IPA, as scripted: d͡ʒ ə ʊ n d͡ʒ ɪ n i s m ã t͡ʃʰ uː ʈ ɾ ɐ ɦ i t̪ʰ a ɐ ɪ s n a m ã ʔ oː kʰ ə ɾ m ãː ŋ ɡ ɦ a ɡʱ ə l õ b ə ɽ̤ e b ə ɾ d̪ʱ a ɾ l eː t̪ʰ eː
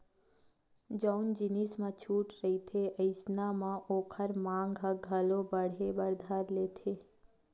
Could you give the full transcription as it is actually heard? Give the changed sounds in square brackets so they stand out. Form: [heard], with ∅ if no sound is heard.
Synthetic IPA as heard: d͡ʒ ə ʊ n d͡ʒ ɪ n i s m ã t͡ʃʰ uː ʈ ɾ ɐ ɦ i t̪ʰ [e] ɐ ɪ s n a m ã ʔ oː kʰ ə ɾ m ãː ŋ ɡ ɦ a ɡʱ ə l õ b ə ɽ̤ e b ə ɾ d̪ʱ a ɾ l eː t̪ʰ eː